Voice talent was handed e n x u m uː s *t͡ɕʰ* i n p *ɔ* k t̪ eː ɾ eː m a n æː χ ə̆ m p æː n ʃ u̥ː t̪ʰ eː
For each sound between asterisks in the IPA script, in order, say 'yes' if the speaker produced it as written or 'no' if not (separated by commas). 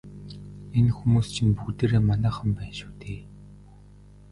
yes, no